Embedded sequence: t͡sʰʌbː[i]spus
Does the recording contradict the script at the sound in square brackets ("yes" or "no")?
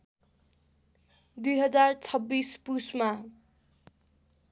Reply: no